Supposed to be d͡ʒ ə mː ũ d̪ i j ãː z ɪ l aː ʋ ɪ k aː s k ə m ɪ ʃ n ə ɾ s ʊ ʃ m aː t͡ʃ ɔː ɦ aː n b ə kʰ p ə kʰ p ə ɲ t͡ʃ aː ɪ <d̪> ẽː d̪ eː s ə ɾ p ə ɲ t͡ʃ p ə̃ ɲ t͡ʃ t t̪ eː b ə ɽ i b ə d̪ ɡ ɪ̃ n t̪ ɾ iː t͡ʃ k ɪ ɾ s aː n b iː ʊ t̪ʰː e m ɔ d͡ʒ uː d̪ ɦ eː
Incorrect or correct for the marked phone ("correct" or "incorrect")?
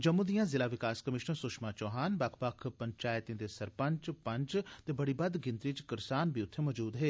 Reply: incorrect